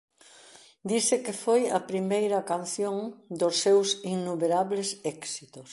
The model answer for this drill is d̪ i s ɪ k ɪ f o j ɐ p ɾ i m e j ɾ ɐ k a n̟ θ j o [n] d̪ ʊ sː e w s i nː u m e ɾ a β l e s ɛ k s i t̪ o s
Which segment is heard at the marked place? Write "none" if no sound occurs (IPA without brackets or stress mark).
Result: ŋ